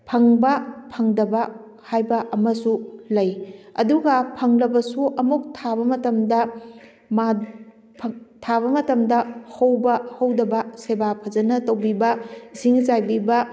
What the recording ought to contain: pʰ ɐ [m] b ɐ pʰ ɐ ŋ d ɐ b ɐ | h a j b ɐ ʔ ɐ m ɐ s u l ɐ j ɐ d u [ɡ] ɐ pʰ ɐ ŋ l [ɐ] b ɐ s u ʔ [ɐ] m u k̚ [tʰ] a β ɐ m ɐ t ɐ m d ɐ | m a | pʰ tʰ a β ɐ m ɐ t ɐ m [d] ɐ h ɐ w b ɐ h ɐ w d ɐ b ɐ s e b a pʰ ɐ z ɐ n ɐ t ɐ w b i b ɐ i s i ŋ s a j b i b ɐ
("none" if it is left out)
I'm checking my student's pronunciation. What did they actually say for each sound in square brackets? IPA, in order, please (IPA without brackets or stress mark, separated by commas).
ŋ, ɡ, ɐ, ɐ, tʰ, d